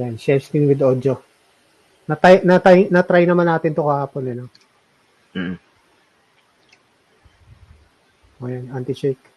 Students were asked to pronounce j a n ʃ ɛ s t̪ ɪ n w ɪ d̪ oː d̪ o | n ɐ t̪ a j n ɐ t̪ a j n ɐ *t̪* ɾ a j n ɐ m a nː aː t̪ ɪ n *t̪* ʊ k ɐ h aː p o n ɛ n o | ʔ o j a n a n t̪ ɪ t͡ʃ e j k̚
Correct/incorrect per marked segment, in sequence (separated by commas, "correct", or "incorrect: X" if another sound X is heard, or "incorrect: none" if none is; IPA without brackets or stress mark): correct, correct